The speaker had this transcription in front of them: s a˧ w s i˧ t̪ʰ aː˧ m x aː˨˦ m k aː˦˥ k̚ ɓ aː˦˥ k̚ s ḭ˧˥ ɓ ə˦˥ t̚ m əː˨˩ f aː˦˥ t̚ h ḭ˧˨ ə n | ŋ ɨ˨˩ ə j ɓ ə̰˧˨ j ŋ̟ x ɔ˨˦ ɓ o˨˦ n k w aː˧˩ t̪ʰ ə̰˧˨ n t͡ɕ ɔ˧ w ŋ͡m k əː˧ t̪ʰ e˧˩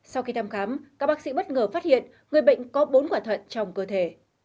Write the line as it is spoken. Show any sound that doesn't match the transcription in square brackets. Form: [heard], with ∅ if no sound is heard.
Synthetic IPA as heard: s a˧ w [x] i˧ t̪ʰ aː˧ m x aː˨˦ m k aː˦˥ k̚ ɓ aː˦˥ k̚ s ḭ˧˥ ɓ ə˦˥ t̚ [ŋ] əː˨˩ f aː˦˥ t̚ h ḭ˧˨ ə n | ŋ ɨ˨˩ ə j ɓ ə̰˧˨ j ŋ̟ [k] ɔ˨˦ ɓ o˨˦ n k w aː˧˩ t̪ʰ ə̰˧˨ n t͡ɕ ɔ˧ w ŋ͡m k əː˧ t̪ʰ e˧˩

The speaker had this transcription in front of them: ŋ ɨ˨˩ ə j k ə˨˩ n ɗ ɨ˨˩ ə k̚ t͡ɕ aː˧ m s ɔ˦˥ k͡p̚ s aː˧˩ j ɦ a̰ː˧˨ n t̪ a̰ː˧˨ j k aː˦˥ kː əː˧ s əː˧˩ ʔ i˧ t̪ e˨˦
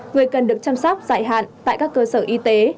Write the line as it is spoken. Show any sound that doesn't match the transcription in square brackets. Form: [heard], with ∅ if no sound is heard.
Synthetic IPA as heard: ŋ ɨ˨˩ ə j k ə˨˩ n ɗ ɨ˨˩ ə k̚ t͡ɕ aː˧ m s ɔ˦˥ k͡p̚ [z] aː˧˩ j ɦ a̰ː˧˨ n t̪ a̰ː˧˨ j k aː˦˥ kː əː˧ s əː˧˩ ʔ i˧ t̪ e˨˦

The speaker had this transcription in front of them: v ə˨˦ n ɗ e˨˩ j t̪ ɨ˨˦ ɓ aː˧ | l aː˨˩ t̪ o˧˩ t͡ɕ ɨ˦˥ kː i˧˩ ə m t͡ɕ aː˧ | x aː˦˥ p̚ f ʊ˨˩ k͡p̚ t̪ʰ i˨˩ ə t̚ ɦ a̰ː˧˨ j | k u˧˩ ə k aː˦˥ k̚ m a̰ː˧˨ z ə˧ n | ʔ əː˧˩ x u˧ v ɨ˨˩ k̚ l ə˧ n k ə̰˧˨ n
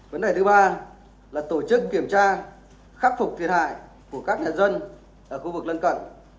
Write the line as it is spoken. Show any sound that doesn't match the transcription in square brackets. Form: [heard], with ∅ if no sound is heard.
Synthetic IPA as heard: v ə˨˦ n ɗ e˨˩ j t̪ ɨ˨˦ ɓ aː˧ | l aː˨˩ t̪ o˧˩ t͡ɕ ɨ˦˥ kː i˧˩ ə m t͡ɕ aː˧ | x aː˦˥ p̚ f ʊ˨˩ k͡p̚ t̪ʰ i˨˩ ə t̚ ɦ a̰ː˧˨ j | k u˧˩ ə k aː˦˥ k̚ [ɲ] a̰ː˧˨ z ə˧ n | ʔ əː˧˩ x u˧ v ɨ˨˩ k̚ l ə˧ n k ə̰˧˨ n

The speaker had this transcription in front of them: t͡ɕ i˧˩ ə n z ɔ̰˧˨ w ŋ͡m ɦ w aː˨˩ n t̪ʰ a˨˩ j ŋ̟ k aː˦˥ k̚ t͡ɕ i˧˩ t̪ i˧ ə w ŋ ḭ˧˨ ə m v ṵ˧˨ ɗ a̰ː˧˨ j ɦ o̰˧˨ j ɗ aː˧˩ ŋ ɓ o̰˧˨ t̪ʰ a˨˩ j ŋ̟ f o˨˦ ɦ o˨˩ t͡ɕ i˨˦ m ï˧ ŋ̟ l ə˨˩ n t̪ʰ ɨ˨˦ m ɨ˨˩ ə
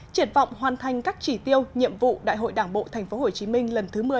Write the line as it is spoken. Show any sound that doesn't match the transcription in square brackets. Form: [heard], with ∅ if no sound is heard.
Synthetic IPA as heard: t͡ɕ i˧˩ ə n [v] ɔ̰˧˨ w ŋ͡m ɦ w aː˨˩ n t̪ʰ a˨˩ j ŋ̟ k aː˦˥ k̚ t͡ɕ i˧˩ t̪ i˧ ə w [ɲ] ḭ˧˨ ə m v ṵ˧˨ ɗ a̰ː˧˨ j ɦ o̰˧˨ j ɗ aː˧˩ ŋ ɓ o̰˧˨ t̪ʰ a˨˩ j ŋ̟ f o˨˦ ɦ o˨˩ t͡ɕ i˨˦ m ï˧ ŋ̟ l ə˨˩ n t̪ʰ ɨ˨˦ m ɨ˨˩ ə

